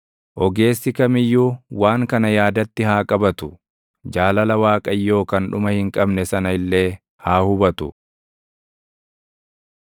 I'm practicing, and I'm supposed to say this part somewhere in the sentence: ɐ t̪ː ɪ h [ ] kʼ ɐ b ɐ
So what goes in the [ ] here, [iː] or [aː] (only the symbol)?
aː